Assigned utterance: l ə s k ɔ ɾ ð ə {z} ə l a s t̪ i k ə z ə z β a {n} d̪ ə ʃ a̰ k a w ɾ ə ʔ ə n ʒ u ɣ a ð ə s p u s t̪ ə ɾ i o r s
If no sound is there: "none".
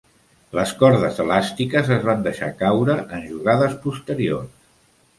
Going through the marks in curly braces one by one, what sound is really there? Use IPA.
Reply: z, n

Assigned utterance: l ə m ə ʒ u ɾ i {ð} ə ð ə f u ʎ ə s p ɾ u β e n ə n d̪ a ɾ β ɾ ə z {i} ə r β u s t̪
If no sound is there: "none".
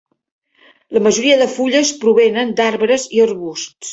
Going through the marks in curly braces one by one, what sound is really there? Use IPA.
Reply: none, i

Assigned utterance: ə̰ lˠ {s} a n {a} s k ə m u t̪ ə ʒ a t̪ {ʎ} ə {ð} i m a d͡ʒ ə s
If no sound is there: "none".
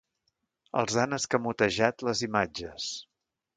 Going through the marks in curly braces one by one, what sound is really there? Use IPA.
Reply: z, ə, l, z

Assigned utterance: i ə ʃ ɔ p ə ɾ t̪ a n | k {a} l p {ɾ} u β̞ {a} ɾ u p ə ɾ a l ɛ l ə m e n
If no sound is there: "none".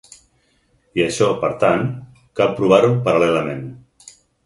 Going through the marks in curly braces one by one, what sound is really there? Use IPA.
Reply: a, ɾ, a

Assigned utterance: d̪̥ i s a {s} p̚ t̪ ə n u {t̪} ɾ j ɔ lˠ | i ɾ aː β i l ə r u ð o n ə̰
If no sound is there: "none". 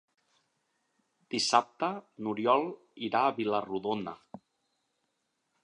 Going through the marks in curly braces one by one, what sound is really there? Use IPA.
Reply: none, none

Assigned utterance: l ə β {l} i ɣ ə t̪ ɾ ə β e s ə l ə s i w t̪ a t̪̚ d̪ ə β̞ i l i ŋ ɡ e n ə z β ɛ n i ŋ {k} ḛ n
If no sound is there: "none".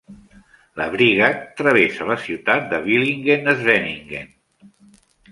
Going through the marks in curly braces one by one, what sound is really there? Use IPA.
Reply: ɾ, ɡ

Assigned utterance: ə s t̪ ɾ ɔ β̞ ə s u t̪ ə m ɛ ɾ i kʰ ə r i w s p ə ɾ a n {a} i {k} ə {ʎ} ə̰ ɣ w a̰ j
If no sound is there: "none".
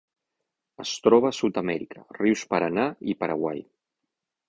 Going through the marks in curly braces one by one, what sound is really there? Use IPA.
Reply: a, p, ɾ

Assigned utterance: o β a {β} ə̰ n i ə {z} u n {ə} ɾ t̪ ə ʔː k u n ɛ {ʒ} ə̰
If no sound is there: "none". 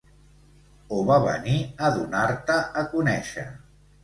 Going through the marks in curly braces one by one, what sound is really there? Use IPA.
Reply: β, ð, a, ʃ

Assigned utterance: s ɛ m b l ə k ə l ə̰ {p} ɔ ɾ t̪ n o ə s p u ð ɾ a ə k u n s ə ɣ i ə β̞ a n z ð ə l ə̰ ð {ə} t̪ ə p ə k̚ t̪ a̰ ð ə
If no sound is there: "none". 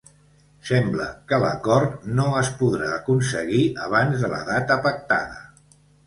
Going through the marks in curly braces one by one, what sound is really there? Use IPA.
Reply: k, a

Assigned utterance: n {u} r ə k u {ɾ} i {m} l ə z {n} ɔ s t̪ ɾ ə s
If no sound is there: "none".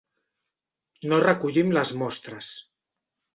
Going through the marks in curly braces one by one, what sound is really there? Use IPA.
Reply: o, ʎ, m, m

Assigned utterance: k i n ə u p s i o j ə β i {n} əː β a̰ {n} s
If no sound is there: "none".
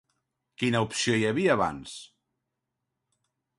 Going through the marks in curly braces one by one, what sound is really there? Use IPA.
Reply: none, n

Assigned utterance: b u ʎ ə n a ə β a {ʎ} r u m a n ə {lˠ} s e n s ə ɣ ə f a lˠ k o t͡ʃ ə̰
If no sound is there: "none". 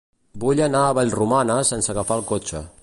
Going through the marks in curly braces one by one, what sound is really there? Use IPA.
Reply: ʎ, none

